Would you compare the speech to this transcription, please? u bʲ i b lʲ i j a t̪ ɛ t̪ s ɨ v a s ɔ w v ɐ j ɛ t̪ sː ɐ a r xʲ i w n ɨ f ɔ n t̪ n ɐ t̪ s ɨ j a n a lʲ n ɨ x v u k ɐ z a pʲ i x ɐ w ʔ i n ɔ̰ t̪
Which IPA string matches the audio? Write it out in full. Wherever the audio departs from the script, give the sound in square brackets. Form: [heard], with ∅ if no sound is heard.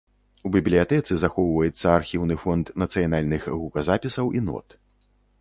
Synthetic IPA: u bʲ i b lʲ i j a t̪ ɛ t̪ s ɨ [z] a [x] ɔ w v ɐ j ɛ t̪ sː ɐ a r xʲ i w n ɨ f ɔ n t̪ n ɐ t̪ s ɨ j a n a lʲ n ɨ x [ɣ] u k ɐ z a pʲ i [s] ɐ w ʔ i n ɔ̰ t̪

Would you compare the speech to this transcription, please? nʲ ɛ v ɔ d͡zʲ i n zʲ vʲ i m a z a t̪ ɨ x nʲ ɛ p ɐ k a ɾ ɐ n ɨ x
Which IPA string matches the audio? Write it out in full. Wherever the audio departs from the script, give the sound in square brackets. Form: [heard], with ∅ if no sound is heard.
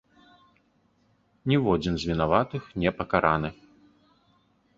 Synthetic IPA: nʲ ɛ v ɔ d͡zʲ i n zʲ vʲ i [n] a [v] a t̪ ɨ x nʲ ɛ p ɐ k a ɾ [a] n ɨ x

